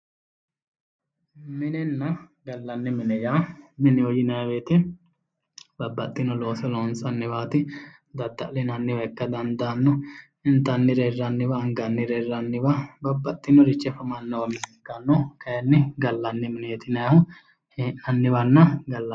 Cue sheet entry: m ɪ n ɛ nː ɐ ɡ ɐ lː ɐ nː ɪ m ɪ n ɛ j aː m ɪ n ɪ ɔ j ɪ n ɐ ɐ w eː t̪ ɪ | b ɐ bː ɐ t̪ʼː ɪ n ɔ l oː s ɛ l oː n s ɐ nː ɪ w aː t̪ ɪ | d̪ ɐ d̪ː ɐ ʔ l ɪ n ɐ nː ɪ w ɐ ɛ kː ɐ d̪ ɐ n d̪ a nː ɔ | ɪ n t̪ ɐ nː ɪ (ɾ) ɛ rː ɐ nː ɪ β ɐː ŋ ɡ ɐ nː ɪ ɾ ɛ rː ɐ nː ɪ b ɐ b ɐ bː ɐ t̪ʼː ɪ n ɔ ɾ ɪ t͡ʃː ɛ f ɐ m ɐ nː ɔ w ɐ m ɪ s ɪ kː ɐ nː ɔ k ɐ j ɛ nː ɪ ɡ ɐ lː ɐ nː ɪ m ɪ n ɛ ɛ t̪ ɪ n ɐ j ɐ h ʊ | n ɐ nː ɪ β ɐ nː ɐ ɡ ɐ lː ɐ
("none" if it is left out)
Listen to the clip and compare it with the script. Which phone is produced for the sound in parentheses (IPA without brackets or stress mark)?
ɾ